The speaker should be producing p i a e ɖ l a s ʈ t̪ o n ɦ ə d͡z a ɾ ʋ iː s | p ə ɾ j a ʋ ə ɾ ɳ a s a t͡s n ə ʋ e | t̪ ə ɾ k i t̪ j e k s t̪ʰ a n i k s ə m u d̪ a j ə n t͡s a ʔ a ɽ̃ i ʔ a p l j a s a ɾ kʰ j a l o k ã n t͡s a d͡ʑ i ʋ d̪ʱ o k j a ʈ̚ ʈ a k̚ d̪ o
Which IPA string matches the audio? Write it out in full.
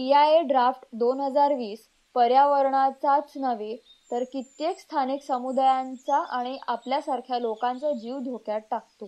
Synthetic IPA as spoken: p i a e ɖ ɾ a f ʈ d̪ o n ɦ ə d͡z a ɾ ʋ iː s | p ə ɾ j a ʋ ə ɾ ɳ a t͡s a t͡s n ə ʋ e | t̪ ə ɾ k i t̪ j e k s t̪ʰ a n i k s ə m u d̪ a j a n t͡s a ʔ a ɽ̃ i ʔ a p l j a s a ɾ kʰ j a l o k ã n t͡s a d͡ʑ i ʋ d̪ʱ o k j a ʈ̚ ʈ a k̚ t̪ o